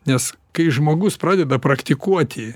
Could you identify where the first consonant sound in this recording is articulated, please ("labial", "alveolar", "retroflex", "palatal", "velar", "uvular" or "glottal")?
alveolar